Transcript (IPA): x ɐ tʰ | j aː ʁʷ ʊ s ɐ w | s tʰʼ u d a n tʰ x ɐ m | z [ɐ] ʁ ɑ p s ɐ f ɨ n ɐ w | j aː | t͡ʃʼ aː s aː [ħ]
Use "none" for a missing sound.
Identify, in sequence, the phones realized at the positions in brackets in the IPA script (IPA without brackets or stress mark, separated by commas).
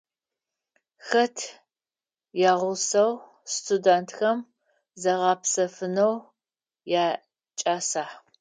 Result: ɐ, ħ